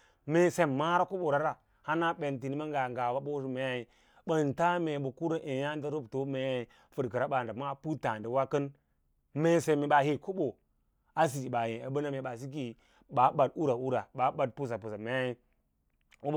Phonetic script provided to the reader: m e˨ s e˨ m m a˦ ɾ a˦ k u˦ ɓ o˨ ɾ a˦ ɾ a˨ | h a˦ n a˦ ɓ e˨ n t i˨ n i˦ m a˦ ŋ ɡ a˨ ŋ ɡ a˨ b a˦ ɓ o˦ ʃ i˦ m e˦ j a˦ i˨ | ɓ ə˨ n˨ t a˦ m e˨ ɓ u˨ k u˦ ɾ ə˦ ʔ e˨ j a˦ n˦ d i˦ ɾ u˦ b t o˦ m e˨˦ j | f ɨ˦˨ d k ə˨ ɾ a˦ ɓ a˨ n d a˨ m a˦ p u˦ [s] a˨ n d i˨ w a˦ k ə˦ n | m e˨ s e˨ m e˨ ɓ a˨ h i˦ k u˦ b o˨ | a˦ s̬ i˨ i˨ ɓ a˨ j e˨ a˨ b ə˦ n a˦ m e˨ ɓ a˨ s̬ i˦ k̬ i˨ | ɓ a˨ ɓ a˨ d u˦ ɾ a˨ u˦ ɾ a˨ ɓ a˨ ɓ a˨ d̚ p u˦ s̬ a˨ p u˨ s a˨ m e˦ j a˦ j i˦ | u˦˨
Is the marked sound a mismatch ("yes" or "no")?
yes